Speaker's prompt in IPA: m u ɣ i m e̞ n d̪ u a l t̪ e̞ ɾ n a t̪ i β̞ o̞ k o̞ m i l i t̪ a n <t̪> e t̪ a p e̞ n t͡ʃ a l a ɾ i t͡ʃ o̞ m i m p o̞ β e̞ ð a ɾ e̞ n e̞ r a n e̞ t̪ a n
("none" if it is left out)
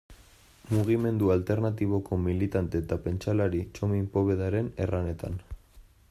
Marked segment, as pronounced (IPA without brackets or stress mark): t̪